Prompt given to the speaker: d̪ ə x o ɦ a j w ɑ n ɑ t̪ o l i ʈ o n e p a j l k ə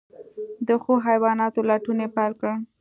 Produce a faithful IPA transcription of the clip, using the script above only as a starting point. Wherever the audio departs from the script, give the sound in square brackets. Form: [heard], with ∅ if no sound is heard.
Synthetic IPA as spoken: d̪ ə x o ɦ a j w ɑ n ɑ t̪ o l [a] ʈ [u] n e p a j l k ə